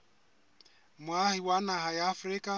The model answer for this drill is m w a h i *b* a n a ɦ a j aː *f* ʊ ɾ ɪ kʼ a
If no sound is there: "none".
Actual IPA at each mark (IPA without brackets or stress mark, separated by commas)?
w, f